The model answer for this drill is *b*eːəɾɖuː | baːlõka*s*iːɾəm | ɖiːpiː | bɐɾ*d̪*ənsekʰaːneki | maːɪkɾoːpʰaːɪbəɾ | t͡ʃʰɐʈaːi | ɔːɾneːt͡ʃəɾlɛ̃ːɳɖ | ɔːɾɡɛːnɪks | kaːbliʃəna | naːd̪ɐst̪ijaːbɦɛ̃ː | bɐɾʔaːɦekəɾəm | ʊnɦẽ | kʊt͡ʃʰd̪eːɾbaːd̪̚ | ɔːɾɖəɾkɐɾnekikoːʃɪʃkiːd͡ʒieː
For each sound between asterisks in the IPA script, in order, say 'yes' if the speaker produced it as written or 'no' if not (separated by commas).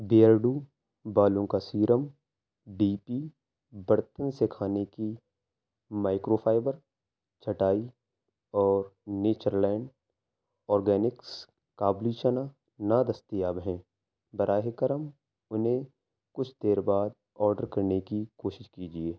yes, yes, no